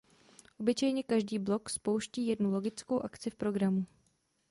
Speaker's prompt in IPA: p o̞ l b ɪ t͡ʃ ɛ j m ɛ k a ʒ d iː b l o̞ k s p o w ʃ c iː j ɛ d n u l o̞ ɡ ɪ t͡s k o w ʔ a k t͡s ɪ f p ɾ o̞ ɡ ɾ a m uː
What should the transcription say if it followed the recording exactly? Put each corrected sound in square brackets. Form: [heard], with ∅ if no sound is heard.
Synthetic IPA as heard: [ʔ] o̞ [∅] b ɪ t͡ʃ ɛ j [ɲ] ɛ k a ʒ d iː b l o̞ k s p o w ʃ c iː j ɛ d n u l o̞ ɡ ɪ t͡s k o w ʔ a k t͡s ɪ f p ɾ o̞ ɡ ɾ a m [u]